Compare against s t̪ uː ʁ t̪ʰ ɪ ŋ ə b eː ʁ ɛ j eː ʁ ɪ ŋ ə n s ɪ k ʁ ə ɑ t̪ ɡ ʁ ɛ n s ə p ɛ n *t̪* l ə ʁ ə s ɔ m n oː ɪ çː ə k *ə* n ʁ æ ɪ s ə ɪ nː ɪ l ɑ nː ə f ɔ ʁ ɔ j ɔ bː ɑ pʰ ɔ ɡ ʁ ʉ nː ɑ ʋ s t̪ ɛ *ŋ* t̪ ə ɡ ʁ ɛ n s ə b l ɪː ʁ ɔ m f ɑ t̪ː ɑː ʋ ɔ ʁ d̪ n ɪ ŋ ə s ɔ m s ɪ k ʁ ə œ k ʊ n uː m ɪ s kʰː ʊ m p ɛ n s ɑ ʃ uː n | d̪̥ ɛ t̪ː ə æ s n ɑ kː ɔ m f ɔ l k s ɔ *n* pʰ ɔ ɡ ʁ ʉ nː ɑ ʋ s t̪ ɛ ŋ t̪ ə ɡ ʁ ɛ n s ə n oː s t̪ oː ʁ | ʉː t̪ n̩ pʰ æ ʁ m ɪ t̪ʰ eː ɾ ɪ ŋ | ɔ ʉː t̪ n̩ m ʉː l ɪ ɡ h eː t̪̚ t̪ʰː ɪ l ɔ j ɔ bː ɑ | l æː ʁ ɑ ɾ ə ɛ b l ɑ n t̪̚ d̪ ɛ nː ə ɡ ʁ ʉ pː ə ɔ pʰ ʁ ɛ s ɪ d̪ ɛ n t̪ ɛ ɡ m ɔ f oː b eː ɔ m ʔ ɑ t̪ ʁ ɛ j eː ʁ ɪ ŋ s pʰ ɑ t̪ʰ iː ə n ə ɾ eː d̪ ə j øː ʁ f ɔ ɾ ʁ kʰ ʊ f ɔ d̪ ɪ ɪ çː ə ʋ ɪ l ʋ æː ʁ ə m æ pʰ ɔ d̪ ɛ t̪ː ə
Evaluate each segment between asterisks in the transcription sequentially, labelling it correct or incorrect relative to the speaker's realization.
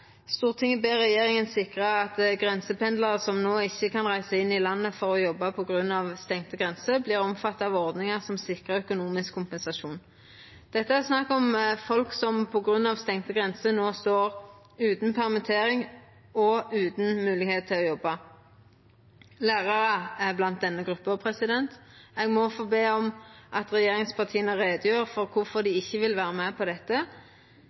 incorrect: d̪, incorrect: ɑ, correct, incorrect: m

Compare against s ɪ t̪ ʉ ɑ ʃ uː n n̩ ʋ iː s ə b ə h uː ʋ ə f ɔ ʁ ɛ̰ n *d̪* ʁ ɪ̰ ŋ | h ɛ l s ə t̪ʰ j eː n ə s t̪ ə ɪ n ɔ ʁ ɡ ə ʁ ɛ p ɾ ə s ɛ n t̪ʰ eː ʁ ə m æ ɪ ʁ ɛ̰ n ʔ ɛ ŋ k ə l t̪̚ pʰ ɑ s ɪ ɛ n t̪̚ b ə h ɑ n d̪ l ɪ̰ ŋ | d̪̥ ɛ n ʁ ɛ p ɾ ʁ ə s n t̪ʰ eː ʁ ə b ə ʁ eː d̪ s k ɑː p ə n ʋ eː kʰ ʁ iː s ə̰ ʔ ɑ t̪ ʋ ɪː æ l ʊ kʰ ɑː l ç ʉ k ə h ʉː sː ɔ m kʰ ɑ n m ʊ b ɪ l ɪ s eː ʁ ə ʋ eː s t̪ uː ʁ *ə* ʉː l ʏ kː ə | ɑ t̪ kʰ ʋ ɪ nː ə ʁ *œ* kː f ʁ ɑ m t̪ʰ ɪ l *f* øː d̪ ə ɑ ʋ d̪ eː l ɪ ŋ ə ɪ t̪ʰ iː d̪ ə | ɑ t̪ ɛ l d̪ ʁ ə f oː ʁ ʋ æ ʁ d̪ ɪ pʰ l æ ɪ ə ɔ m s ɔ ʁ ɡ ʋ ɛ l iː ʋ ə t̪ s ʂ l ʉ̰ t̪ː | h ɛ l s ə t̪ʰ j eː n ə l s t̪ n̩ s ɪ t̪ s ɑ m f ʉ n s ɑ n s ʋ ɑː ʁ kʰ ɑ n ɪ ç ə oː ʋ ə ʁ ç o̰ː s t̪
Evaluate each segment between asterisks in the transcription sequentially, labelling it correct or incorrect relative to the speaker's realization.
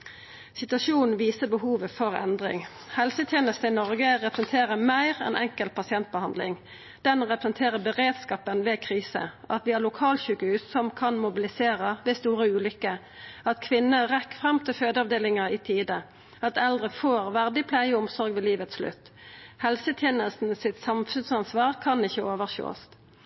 correct, correct, incorrect: ɛ, correct

